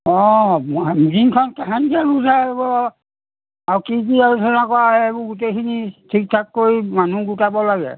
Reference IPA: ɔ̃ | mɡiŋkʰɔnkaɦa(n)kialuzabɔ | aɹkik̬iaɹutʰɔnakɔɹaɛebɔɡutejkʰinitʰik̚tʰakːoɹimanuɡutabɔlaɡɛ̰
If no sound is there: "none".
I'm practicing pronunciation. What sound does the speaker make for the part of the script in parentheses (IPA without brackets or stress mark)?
n